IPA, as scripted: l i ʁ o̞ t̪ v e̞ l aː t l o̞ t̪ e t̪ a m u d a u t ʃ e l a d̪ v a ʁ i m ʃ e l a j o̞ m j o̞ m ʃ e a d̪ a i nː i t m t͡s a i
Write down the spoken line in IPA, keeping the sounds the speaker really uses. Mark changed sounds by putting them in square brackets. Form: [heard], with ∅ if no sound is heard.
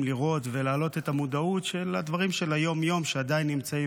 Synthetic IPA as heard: l i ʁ o̞ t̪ v e̞ l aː [∅] l o̞ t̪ e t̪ a m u d a u t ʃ e l a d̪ v a ʁ i m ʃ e l a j o̞ m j o̞ m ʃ e a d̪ a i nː i [∅] m t͡s a i